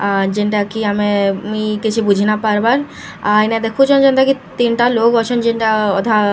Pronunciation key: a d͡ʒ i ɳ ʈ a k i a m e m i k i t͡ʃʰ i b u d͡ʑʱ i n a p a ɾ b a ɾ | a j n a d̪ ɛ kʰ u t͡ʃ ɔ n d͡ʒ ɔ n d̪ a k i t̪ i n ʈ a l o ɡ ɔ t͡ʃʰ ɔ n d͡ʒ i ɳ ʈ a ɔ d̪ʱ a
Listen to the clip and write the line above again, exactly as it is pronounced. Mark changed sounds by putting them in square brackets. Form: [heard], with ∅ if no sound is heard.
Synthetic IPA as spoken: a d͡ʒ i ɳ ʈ a k i a m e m i k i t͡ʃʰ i b u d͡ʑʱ i n a p a ɾ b a ɾ | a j n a d̪ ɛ kʰ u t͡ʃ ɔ n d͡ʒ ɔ n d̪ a k i t̪ i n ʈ a l o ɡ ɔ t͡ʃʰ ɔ n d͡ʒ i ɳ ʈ a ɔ d̪ʱ a